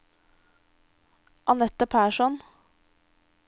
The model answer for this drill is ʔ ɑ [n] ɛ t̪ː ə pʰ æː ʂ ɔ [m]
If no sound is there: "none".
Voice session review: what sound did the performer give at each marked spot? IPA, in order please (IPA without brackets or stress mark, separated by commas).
n, n